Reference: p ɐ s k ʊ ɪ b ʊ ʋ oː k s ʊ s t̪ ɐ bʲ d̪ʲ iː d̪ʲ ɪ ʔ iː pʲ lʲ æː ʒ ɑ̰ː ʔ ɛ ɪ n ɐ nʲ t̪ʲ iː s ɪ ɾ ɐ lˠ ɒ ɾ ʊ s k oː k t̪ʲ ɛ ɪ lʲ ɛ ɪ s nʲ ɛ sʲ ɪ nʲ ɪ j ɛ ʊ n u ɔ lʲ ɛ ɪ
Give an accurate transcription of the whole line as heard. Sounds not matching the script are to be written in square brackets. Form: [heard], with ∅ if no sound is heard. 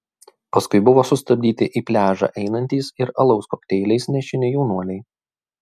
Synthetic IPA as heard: p ɐ s k ʊ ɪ b ʊ ʋ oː [∅] s ʊ s t̪ ɐ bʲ d̪ʲ iː [t̪ʲ] ɪ ʔ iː pʲ lʲ æː ʒ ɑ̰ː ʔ ɛ ɪ n ɐ nʲ t̪ʲ iː s ɪ ɾ ɐ lˠ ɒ [∅] ʊ s k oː k t̪ʲ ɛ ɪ lʲ ɛ ɪ s nʲ ɛ [ʃʲ] ɪ nʲ ɪ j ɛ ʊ n u ɔ lʲ ɛ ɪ